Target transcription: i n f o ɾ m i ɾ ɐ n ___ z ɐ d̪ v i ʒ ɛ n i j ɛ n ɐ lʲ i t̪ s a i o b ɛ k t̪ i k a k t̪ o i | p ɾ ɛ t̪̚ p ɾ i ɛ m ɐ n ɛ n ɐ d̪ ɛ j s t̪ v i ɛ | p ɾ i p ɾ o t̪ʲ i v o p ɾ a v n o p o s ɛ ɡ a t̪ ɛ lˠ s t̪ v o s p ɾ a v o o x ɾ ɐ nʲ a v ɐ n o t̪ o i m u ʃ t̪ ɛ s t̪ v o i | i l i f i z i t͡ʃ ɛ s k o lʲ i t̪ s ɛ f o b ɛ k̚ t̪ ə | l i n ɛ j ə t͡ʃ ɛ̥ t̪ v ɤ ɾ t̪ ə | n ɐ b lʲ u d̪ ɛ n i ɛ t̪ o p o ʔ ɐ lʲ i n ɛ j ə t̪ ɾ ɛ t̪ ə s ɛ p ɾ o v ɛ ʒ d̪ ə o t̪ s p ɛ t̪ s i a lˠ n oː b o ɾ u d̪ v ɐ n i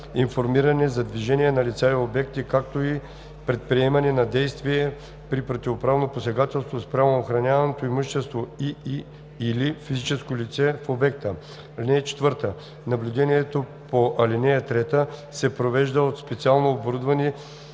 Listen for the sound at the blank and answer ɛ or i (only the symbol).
ɛ